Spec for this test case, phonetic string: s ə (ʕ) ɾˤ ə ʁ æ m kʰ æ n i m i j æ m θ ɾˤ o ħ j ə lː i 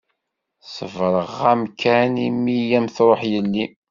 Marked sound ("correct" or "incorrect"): incorrect